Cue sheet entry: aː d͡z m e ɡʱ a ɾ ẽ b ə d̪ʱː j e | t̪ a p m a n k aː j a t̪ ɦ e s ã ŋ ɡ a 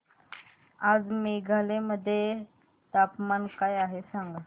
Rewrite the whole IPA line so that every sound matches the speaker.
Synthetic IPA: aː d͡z m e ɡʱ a l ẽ m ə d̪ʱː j e | t̪ a p m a n k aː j a ɦ e s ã ŋ ɡ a

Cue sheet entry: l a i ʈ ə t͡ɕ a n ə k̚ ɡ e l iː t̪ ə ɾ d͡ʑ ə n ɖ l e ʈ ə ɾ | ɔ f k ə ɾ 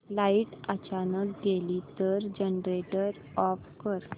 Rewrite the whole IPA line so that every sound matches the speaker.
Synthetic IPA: l a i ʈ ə t͡ɕ a n ə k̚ ɡ e l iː t̪ ə ɾ d͡ʑ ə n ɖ ɾ e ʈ ə ɾ | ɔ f k ə ɾ

